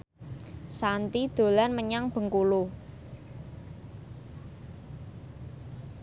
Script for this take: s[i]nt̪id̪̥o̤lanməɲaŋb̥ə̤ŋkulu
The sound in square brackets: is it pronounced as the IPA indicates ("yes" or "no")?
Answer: no